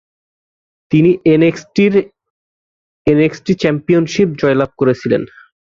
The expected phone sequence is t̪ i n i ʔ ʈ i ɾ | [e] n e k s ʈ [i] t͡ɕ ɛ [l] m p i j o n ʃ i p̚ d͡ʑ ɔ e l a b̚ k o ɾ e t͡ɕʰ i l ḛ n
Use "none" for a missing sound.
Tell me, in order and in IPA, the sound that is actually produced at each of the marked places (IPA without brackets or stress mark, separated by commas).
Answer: e, i, none